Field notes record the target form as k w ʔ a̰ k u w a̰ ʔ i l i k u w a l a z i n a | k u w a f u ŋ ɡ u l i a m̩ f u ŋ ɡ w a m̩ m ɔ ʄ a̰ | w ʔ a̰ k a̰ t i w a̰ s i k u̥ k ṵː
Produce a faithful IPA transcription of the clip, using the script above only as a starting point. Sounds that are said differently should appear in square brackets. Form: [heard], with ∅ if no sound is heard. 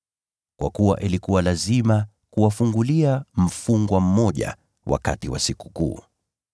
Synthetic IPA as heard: k w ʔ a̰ k u w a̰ ʔ i l i k u w a l a z i [m] a | k u w a f u ŋ ɡ u l i a m̩ f u ŋ ɡ w a m̩ m ɔ ʄ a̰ | w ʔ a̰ k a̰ t i w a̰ s i k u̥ k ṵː